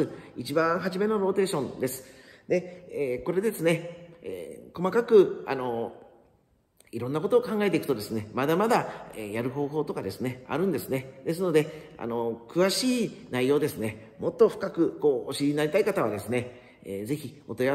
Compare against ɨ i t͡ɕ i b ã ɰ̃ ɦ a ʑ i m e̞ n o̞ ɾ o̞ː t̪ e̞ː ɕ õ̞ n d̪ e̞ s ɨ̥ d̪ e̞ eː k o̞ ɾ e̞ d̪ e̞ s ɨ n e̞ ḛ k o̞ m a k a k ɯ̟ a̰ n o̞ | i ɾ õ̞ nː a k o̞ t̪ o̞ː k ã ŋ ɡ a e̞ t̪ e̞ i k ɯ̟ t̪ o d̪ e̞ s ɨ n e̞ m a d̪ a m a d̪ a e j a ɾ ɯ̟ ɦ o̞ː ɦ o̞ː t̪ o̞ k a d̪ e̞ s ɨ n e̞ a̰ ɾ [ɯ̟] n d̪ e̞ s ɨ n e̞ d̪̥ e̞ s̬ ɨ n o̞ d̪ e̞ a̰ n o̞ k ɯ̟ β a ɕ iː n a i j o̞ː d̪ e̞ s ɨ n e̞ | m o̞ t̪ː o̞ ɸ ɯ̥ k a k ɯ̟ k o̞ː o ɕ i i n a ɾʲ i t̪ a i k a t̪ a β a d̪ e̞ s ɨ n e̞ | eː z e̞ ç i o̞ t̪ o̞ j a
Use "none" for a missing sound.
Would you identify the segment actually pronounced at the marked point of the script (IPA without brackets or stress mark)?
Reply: ɯ̟̃